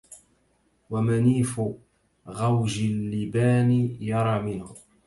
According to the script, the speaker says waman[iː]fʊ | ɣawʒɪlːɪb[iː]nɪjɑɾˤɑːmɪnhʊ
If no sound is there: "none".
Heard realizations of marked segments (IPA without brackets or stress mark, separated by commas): iː, aː